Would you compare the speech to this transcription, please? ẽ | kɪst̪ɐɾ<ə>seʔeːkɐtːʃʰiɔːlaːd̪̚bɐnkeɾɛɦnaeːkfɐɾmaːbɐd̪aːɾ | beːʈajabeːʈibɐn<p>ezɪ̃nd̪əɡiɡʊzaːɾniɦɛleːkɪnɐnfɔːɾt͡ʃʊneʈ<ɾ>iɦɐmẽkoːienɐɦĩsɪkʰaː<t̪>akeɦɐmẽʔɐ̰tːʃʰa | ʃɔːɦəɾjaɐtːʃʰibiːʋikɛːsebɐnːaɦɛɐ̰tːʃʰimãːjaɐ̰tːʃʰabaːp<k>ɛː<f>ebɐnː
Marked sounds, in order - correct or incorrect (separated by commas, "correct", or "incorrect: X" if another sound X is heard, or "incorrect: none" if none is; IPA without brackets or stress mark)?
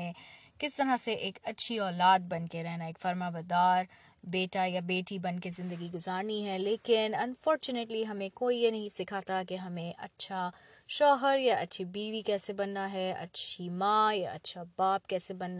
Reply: incorrect: a, incorrect: k, incorrect: l, correct, correct, incorrect: s